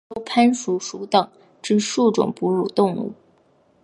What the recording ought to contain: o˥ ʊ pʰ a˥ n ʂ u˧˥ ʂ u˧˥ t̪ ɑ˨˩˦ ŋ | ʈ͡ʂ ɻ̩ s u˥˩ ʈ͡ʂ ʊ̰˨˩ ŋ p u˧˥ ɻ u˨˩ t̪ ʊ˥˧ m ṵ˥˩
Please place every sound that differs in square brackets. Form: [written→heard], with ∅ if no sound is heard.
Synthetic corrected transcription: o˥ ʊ pʰ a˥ n ʂ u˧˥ ʂ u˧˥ t̪ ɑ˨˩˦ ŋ | ʈ͡ʂ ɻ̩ [s→ʂ] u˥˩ ʈ͡ʂ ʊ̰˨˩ ŋ p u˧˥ ɻ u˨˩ t̪ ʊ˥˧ [m→ŋ] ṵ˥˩